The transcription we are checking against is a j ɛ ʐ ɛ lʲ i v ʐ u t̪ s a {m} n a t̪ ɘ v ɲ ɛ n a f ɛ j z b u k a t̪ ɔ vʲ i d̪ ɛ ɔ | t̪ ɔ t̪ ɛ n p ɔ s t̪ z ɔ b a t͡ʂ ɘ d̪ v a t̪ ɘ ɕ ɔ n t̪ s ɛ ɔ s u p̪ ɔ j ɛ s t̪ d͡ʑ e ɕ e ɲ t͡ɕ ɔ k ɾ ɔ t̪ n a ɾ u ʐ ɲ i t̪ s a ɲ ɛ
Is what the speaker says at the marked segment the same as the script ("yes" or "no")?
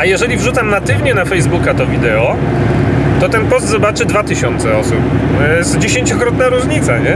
yes